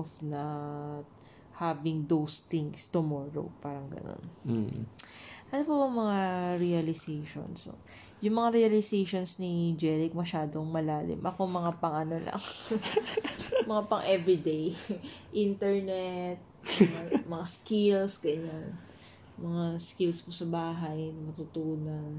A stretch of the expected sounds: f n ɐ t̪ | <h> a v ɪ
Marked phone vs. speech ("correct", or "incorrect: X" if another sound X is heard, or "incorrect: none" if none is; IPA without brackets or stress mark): correct